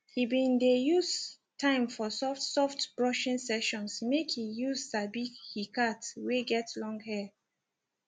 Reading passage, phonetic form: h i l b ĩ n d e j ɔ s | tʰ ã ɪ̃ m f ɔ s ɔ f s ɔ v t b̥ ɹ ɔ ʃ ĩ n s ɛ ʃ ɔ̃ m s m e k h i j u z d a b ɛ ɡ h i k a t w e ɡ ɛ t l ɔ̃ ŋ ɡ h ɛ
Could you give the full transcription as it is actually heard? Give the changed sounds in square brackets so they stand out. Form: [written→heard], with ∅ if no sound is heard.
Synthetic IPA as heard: h i [l→∅] b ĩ n d e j [ɔ→u] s | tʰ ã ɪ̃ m f ɔ s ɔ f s ɔ [v→f] t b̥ ɹ ɔ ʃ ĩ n s ɛ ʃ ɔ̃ [m→n] s m e k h i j u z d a b [ɛ→i] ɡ h i k a t w e ɡ ɛ t l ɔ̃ ŋ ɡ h ɛ